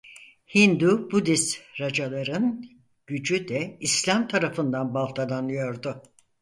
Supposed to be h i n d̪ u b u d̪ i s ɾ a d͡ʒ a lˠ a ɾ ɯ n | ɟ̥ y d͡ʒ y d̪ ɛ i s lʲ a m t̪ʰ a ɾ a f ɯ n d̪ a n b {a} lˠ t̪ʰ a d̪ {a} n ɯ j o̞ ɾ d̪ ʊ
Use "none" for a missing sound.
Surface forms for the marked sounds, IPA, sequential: a, a

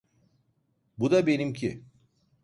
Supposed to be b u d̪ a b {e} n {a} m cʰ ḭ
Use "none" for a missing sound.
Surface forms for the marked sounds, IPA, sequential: e, i

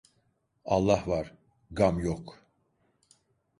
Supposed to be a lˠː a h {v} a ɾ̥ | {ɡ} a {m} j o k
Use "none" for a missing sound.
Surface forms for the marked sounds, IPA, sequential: v, ɡ, m

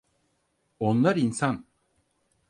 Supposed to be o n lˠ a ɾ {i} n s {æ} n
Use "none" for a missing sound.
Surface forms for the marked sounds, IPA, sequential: i, a

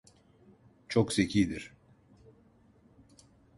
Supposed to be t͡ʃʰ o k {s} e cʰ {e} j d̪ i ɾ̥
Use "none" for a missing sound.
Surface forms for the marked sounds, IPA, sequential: s, i

